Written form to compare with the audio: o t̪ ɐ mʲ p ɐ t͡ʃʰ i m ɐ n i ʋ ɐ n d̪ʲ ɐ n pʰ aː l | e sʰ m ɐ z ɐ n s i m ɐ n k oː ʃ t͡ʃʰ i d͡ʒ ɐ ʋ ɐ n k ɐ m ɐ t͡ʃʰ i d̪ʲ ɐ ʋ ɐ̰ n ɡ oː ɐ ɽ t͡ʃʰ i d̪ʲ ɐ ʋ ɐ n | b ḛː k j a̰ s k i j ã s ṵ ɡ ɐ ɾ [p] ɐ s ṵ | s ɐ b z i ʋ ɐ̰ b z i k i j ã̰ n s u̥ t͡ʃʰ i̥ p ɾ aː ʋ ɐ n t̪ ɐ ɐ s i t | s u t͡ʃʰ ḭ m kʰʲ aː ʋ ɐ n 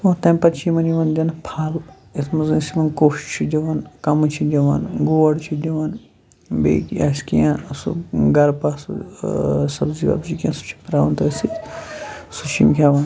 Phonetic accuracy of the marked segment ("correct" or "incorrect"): correct